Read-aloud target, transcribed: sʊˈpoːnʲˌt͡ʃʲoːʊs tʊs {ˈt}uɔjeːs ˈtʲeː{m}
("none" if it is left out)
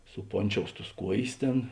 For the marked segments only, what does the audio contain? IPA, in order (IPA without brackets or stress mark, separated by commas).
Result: k, n